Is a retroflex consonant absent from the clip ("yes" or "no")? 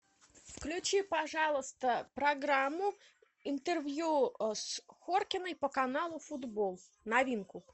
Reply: no